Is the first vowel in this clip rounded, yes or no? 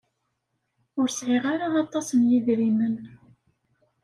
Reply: yes